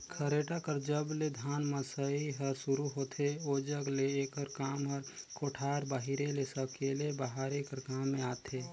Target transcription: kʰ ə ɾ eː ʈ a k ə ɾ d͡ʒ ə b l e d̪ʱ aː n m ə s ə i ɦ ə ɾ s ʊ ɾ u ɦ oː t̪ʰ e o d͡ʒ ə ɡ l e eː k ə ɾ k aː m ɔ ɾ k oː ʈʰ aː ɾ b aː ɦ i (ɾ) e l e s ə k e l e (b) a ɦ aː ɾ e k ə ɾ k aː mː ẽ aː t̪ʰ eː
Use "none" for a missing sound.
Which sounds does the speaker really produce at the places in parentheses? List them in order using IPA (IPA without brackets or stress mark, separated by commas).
ɾ, b